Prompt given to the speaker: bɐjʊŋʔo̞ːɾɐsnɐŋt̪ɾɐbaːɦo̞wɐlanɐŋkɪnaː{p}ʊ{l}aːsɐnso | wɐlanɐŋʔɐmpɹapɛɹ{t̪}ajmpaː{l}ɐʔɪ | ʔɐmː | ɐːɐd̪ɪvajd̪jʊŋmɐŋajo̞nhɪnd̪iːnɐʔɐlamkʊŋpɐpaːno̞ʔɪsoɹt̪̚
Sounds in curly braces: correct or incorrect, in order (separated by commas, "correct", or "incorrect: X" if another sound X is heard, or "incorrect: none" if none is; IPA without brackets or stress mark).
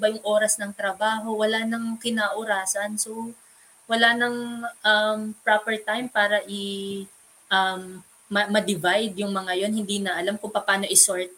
incorrect: ʔ, incorrect: ɾ, correct, incorrect: ɾ